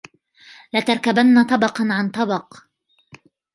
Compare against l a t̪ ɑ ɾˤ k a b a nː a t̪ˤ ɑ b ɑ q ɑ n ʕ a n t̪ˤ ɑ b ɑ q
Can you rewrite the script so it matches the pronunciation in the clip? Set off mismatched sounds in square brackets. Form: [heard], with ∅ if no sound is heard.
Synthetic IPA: l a t̪ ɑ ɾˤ k a b a nː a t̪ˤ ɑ b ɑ q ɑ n ʕ a n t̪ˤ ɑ b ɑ q